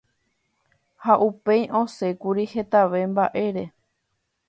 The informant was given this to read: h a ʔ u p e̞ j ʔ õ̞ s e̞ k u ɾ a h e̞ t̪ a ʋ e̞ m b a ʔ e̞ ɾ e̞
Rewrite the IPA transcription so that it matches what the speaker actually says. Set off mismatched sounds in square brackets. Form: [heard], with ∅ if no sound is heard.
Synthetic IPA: h a ʔ u p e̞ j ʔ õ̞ s e̞ k u ɾ [i] h e̞ t̪ a ʋ e̞ m b a ʔ e̞ ɾ e̞